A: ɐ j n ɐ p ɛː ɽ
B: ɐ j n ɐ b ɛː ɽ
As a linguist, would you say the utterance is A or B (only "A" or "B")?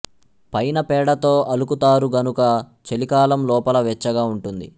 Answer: A